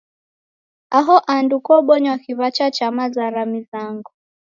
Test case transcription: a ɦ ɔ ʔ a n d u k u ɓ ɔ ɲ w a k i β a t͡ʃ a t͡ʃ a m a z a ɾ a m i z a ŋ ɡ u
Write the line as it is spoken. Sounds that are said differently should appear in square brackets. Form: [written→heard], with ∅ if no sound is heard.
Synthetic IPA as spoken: a ɦ ɔ ʔ a n d u k [u→ɔ] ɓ ɔ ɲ w a k i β a t͡ʃ a t͡ʃ a m a z a ɾ a m i z a ŋ ɡ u